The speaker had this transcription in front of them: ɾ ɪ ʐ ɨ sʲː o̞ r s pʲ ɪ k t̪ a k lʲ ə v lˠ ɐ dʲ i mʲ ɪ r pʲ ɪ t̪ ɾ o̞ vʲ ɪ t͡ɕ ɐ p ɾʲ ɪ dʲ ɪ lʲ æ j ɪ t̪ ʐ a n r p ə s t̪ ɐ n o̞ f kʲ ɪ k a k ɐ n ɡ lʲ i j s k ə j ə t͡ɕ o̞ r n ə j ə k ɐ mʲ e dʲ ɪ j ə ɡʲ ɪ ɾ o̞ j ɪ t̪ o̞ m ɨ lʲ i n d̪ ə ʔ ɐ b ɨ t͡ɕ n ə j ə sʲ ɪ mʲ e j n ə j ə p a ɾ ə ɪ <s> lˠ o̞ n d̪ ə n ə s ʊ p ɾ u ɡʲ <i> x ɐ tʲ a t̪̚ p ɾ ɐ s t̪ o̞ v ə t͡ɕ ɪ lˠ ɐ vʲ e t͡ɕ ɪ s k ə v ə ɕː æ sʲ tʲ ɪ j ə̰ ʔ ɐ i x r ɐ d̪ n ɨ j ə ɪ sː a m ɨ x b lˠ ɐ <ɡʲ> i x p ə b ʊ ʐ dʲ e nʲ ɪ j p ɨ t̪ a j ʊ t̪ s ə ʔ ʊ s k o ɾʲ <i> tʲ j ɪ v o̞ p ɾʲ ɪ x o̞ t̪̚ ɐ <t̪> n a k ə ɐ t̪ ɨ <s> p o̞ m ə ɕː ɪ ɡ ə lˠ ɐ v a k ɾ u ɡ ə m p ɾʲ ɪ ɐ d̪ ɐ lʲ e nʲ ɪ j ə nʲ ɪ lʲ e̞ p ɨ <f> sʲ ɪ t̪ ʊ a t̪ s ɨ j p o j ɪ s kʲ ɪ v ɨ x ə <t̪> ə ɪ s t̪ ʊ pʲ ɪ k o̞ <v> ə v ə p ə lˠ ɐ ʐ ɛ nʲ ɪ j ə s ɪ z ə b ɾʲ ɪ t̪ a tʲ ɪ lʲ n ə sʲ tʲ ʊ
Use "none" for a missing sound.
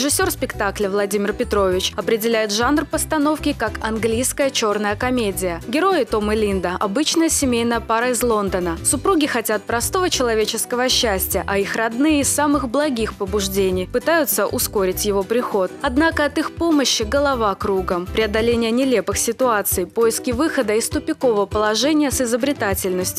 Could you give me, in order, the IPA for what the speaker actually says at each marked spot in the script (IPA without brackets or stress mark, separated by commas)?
z, ɪ, ɡʲ, ɪ, d̪, x, x, d̪, v